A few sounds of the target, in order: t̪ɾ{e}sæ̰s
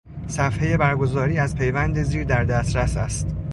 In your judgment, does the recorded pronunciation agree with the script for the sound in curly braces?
no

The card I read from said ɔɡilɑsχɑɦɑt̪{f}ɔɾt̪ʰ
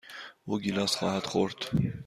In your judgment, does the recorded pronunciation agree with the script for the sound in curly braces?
no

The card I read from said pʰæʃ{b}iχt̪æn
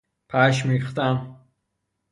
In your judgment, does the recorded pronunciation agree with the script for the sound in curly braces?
no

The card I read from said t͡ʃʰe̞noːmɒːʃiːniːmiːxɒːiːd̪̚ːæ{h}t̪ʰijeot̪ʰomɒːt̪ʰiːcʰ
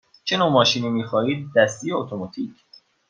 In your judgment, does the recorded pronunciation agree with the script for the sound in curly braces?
no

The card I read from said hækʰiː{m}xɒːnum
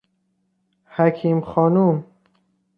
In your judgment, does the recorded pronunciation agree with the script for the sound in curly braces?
yes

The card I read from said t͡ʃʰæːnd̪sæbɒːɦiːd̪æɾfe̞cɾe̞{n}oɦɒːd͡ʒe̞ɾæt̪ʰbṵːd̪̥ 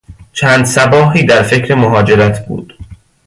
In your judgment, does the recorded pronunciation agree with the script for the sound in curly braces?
no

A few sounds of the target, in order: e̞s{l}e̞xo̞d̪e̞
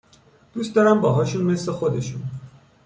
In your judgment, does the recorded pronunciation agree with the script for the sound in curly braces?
yes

